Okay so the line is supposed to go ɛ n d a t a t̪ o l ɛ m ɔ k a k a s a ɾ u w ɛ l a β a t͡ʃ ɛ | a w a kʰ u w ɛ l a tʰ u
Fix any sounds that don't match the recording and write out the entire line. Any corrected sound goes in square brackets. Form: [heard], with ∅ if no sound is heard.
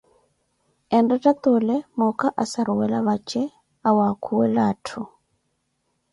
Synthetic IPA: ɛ n d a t a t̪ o l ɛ m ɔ k a [ʔ] a s a ɾ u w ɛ l a β a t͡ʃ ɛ | a w a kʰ u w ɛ l a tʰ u